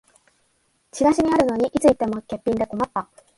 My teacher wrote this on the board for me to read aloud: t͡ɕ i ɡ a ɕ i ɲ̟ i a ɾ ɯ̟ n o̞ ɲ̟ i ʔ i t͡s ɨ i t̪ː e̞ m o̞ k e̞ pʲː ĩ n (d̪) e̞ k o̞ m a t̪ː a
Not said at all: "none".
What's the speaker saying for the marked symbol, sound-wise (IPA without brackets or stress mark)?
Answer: d̪